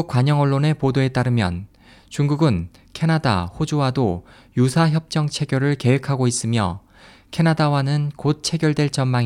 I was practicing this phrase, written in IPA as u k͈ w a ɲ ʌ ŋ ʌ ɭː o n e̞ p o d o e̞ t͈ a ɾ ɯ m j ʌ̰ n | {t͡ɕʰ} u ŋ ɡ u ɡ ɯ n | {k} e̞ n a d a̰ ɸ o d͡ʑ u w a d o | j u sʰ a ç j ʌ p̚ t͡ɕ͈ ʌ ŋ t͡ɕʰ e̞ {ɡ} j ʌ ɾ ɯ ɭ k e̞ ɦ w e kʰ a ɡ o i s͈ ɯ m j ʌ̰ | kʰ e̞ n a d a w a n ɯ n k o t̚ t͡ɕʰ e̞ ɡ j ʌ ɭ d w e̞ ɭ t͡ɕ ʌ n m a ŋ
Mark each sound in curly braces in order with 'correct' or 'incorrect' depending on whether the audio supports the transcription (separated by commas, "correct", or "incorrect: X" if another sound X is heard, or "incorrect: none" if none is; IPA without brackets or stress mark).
incorrect: t͡ɕ, incorrect: kʰ, correct